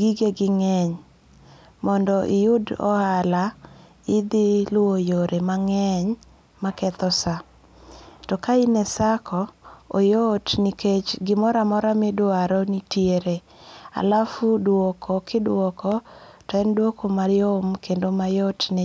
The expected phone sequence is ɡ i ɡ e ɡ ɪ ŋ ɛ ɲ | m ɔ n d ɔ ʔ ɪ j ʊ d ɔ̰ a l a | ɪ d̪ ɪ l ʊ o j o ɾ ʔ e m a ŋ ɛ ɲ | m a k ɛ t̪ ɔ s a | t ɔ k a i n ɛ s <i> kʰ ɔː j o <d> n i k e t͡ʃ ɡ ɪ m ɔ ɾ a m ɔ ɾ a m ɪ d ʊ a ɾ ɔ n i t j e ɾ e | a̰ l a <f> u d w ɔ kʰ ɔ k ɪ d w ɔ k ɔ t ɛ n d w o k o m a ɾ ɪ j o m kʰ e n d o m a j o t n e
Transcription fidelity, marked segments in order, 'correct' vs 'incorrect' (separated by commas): incorrect, incorrect, correct